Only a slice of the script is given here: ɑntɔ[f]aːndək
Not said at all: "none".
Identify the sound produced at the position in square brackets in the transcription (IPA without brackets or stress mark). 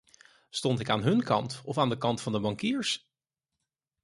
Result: f